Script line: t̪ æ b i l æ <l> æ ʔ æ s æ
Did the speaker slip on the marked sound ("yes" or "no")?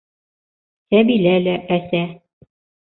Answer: no